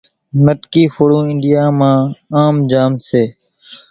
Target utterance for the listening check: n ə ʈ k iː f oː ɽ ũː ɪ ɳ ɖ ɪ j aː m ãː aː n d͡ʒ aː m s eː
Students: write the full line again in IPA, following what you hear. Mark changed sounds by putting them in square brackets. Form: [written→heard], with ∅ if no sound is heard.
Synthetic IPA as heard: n ə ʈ k iː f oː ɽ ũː ɪ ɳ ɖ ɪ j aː m ãː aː [n→m] d͡ʒ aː m s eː

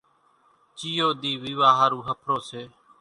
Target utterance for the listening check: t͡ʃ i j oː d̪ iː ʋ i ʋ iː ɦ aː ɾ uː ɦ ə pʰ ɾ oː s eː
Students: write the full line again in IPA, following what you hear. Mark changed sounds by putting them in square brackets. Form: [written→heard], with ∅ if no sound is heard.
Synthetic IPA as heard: t͡ʃ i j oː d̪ iː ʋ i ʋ [iː→aː] ɦ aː ɾ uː ɦ ə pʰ ɾ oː s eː

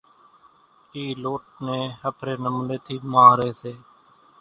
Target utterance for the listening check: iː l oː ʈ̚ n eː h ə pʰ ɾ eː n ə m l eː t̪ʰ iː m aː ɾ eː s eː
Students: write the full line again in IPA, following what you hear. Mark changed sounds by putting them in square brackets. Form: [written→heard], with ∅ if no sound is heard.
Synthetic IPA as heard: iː l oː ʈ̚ n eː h ə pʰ ɾ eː n ə m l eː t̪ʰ iː m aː ɾ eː s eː

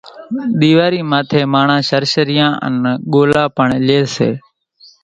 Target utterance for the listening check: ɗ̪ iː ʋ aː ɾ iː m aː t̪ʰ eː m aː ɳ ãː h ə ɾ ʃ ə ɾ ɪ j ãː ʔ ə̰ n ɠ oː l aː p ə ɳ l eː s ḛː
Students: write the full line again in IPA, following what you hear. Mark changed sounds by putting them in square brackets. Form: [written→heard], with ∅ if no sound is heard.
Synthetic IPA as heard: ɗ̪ iː ʋ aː ɾ iː m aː t̪ʰ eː m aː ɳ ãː [h→ʃ] ə ɾ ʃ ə ɾ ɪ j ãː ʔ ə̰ n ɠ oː l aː p ə ɳ l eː s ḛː

